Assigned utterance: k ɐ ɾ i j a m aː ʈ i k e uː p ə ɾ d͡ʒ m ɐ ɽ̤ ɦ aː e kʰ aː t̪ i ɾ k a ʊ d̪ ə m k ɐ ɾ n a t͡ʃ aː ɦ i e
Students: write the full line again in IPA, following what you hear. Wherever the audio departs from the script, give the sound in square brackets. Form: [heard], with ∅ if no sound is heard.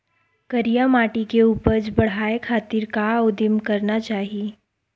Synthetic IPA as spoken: k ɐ ɾ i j a m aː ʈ i k e uː p ə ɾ d͡ʒ [b] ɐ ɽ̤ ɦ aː e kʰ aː t̪ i ɾ k a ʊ d̪ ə m k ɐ ɾ n a t͡ʃ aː ɦ i e